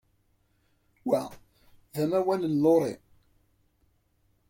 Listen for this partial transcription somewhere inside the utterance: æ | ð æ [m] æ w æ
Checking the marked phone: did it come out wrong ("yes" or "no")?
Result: no